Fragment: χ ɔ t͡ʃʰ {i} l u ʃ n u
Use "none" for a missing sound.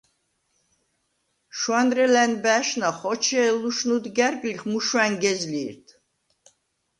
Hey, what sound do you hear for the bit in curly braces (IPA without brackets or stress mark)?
ɛ